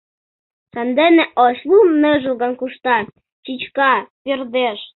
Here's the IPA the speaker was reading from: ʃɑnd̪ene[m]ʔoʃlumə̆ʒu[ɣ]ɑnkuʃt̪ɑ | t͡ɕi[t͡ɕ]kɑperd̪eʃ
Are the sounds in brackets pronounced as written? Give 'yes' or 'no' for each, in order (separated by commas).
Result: no, yes, yes